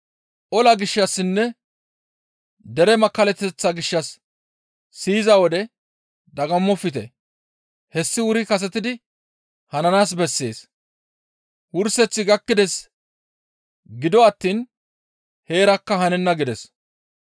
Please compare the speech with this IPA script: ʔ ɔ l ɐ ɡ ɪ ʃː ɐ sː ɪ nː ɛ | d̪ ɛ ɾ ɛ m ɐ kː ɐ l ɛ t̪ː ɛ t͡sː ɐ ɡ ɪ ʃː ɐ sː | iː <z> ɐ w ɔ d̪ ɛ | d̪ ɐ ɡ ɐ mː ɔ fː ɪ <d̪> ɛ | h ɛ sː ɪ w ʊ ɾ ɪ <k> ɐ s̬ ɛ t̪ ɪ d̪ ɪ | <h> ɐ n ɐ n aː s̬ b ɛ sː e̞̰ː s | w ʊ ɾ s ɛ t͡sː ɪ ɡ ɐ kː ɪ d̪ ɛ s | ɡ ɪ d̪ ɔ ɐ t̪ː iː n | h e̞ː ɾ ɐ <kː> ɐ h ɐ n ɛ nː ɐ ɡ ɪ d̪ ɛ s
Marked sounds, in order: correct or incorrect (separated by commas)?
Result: correct, incorrect, correct, correct, correct